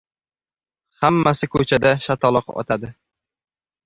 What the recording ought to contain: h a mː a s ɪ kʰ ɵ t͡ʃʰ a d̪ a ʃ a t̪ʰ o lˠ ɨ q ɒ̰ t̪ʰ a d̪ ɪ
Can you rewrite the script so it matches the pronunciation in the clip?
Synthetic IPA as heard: h a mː a s ɪ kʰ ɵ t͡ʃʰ a d̪ a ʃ a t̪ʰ ɒ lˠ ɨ q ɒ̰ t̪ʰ a d̪ ɪ